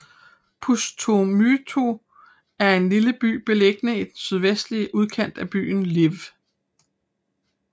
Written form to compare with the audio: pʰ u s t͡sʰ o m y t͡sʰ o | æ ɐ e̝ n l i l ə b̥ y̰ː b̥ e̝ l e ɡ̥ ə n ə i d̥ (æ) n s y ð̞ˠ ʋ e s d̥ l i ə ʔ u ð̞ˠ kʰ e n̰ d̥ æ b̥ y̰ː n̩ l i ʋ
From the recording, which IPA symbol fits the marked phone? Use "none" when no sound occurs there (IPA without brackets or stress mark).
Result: e